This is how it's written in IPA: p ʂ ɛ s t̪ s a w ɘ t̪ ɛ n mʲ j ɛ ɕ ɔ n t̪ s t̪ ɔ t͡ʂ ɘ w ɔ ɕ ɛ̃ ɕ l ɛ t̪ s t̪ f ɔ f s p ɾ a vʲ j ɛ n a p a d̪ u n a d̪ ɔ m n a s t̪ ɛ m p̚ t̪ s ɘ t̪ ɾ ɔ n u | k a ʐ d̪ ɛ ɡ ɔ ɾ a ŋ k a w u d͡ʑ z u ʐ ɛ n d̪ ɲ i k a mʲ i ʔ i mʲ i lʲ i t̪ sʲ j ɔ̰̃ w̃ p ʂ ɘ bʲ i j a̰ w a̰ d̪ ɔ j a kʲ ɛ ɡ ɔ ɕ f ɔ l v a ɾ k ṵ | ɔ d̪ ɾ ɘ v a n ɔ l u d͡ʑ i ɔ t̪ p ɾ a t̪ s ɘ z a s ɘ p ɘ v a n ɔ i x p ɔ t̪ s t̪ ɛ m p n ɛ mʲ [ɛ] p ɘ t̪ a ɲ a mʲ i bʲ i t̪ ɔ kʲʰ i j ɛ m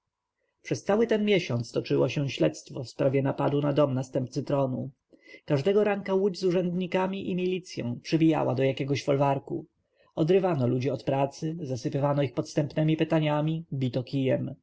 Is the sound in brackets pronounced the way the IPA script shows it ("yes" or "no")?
no